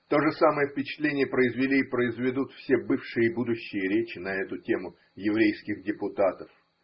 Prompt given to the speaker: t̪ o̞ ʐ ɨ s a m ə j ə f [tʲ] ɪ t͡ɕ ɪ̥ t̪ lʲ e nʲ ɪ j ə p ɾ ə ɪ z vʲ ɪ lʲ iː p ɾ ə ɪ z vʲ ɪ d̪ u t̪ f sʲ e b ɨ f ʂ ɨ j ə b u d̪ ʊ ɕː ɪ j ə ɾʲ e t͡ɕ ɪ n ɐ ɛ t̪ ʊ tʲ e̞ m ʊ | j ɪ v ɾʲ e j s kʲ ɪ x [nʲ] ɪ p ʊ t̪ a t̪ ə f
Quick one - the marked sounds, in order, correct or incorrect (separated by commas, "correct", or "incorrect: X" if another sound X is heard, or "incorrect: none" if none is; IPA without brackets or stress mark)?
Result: incorrect: pʲ, incorrect: dʲ